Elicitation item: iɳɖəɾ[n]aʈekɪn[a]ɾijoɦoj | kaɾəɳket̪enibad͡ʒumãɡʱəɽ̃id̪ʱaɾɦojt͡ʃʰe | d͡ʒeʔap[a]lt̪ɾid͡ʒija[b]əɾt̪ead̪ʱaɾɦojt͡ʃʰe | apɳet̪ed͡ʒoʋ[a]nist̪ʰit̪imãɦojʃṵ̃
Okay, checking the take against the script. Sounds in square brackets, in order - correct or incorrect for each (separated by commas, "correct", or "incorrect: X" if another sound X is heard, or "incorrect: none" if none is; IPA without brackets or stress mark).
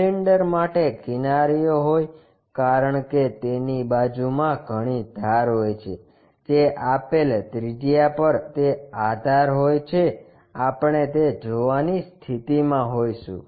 incorrect: m, correct, incorrect: e, incorrect: p, correct